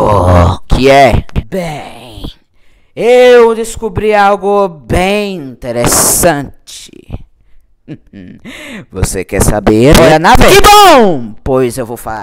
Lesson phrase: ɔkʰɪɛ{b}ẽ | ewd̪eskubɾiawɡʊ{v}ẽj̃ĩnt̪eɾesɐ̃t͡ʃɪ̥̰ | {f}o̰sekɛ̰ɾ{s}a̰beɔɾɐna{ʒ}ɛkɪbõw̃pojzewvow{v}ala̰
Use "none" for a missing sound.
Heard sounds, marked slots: b, b, v, s, v, f

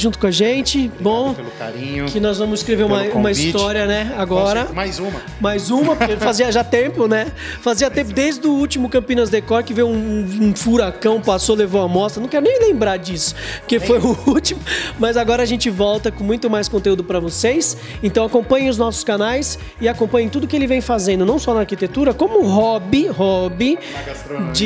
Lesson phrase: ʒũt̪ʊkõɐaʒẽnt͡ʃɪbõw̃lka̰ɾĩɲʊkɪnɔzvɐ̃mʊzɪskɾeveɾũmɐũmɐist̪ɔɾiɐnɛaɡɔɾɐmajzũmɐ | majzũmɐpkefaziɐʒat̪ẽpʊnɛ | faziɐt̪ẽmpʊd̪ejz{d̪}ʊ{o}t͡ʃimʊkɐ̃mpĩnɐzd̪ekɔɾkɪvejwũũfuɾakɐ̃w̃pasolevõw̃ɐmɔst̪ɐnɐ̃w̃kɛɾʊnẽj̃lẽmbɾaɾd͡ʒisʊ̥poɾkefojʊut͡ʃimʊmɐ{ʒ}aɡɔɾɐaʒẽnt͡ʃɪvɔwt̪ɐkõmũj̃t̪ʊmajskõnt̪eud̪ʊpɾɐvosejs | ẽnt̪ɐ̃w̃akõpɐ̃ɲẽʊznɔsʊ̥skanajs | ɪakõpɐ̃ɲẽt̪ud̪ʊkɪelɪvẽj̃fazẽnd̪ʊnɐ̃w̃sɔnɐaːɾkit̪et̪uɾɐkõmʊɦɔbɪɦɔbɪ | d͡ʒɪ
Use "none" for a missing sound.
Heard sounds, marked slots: d̪, u, z

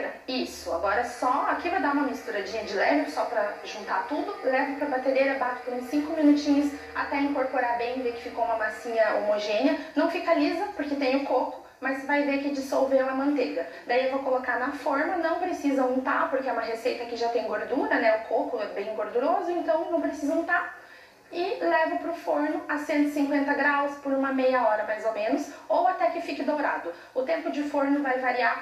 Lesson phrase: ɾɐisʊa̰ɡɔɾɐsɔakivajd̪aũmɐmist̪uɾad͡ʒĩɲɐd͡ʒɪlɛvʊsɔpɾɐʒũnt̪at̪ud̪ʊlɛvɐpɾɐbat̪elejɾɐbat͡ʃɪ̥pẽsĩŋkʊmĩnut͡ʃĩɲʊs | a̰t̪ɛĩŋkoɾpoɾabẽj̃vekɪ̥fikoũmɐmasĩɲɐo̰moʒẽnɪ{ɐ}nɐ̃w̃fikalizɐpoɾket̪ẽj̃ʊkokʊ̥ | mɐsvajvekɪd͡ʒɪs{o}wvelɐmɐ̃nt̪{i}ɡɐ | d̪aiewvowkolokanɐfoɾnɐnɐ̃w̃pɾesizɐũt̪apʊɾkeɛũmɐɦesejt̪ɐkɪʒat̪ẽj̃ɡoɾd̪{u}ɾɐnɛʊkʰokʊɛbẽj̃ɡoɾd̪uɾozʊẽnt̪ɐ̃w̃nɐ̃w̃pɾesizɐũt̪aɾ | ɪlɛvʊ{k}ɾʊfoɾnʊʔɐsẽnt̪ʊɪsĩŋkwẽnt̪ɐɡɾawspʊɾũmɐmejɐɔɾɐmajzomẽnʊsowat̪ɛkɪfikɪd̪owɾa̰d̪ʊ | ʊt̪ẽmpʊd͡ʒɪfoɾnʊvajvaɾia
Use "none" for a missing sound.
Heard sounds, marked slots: ɐ, o, e, u, p

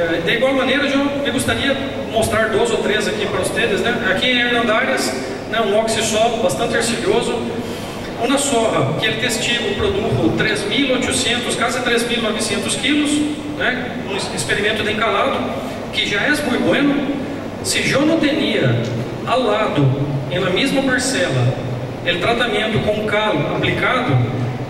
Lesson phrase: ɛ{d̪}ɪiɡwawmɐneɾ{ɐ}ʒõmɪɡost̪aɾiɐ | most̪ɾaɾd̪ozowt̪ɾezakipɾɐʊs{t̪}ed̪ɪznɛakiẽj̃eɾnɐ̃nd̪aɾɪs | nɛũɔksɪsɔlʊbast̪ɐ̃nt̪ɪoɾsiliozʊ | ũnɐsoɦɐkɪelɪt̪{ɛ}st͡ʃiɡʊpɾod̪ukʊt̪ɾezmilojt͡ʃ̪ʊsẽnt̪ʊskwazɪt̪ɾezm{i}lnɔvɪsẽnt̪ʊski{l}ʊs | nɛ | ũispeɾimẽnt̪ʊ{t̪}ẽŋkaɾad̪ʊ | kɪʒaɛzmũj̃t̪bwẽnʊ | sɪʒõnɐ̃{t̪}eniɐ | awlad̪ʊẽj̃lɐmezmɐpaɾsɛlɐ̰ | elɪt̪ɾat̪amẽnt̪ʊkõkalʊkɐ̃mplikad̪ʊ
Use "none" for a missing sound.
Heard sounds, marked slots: d̪, ɐ, t̪, e, i, l, d̪, t̪

